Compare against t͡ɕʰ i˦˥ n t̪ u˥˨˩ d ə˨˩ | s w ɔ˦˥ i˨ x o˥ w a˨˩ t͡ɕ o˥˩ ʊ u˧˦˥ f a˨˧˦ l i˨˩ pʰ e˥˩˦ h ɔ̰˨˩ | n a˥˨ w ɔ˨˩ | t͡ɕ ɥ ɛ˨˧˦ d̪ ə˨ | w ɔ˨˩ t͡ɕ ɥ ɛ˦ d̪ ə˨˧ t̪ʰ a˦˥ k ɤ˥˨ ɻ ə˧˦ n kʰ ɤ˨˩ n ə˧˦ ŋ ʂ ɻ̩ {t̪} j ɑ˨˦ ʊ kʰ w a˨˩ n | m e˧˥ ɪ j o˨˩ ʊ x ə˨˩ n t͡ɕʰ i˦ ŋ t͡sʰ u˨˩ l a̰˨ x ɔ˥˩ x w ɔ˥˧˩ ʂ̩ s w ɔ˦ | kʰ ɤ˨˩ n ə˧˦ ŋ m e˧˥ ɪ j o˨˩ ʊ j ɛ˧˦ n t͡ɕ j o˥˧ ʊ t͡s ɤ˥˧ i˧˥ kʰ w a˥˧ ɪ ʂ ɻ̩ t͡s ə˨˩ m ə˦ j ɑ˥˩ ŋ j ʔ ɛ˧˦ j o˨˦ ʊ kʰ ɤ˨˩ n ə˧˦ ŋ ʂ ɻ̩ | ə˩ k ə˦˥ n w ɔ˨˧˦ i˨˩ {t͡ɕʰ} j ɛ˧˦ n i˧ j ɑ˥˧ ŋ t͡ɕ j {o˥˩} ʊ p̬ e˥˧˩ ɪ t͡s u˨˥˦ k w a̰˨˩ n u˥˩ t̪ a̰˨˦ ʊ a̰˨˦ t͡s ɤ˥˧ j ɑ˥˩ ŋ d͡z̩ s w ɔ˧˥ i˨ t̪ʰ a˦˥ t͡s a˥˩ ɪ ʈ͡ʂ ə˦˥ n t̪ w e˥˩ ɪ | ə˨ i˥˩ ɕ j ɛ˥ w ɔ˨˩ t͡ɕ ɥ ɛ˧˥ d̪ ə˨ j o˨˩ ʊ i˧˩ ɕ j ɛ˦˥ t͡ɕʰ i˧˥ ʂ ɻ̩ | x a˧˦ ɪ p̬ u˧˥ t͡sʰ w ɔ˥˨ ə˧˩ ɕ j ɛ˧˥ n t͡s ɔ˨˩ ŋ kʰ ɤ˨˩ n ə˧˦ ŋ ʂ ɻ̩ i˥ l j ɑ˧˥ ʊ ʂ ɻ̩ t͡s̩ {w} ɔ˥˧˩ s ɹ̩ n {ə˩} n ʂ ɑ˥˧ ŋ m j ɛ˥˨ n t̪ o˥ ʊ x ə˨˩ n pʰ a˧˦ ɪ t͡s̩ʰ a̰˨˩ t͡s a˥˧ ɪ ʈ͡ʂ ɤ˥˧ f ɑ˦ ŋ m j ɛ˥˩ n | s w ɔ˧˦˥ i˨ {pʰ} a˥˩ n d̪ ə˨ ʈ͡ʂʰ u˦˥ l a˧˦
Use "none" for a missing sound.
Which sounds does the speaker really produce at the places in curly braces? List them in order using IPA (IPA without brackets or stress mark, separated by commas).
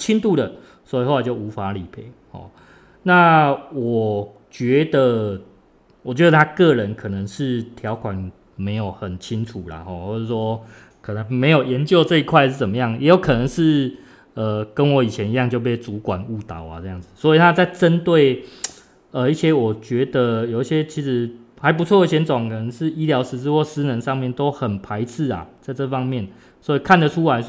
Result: t̪ʰ, t͡ɕʰ, o˥˧, w, ə˧, kʰ